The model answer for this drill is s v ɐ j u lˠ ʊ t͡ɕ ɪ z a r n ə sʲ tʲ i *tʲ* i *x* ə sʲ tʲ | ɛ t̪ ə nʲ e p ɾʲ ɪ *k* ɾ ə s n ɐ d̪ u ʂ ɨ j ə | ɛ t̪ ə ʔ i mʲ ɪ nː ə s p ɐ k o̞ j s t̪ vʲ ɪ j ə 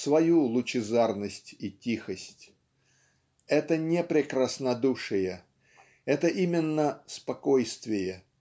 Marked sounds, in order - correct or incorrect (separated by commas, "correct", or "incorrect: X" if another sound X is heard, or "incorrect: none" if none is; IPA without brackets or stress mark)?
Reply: correct, correct, correct